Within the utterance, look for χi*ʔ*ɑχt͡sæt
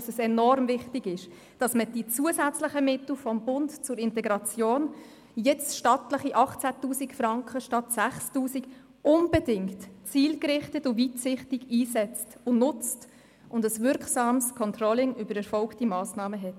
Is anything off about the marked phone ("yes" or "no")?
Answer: no